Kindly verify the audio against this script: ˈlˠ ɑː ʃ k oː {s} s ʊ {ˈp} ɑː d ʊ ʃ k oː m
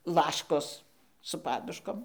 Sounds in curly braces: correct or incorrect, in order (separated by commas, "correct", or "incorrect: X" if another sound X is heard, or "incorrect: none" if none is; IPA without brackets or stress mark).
correct, correct